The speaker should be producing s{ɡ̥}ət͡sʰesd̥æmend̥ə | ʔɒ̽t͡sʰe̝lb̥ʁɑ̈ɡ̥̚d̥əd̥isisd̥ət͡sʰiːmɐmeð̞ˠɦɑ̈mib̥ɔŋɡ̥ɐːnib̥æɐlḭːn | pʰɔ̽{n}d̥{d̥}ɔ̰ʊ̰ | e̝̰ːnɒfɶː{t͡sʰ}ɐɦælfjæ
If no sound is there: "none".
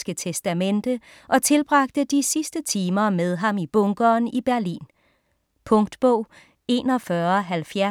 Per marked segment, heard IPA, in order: ɡ̥, ŋ, b̥, none

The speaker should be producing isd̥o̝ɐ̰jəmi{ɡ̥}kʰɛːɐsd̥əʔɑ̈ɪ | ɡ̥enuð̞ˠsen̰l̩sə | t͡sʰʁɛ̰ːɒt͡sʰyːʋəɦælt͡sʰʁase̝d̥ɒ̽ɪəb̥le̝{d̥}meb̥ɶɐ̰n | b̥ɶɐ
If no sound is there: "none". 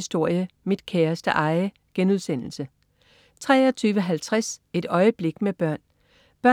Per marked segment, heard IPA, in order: d̥, ɡ̥

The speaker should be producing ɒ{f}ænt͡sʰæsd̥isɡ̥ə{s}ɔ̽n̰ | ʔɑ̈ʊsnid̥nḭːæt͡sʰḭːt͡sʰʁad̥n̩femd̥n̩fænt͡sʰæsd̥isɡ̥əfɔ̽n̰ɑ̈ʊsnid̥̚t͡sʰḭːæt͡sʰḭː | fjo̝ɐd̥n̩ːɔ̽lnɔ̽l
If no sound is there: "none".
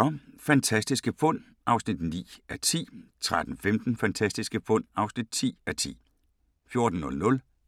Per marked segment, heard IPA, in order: f, f

